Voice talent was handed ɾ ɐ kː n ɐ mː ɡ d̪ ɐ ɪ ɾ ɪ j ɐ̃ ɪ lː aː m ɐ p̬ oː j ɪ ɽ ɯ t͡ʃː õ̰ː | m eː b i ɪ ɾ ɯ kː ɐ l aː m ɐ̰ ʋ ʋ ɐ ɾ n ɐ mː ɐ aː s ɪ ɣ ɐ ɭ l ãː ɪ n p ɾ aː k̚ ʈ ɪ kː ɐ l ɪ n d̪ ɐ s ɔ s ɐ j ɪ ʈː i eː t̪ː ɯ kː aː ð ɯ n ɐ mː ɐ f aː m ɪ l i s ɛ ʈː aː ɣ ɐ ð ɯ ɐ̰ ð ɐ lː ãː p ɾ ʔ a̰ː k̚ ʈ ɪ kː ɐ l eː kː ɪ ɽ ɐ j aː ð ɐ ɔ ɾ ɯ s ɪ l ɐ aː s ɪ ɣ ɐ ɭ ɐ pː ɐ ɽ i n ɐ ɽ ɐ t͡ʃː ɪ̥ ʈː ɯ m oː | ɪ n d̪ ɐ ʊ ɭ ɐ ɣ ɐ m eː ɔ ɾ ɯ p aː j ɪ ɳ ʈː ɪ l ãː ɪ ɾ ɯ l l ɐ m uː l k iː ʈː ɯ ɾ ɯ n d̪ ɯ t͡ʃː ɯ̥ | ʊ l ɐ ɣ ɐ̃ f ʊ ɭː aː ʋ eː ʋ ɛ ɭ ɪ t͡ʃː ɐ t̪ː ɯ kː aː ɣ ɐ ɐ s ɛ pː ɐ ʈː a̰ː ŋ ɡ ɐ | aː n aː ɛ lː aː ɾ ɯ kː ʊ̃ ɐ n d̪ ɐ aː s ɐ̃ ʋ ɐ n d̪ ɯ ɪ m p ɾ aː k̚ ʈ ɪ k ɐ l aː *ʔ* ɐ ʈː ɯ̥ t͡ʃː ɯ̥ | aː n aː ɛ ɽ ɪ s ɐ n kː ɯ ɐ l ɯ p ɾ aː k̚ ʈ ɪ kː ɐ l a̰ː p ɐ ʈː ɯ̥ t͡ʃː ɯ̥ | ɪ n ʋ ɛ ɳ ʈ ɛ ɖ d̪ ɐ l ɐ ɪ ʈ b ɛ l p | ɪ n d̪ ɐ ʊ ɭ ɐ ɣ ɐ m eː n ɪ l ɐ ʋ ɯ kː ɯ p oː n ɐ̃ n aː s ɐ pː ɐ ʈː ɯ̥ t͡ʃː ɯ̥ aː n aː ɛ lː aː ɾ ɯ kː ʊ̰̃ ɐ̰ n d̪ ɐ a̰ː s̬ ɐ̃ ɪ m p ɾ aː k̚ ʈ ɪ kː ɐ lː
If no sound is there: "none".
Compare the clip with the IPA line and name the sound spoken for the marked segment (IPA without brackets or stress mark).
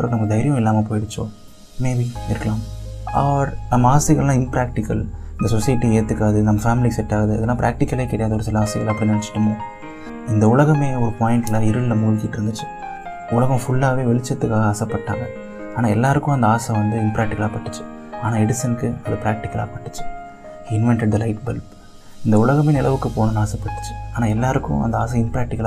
p